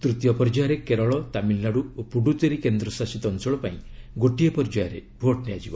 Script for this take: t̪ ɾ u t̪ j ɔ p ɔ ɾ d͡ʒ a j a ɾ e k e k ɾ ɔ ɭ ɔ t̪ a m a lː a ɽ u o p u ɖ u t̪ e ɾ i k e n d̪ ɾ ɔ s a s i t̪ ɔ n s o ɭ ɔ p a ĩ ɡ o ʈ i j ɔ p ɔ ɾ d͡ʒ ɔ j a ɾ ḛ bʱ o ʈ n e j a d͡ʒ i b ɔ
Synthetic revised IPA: t̪ ɾ u t̪ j ɔ p ɔ ɾ d͡ʒ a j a ɾ e k e ɾ ɔ ɭ ɔ t̪ a m i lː a ɽ u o p u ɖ u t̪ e ɾ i k e n d̪ ɾ ɔ s a s i t̪ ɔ n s ɔ ɭ ɔ p a ĩ ɡ o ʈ i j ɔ p ɔ ɾ d͡ʒ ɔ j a ɾ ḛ bʱ o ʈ n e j a d͡ʒ i b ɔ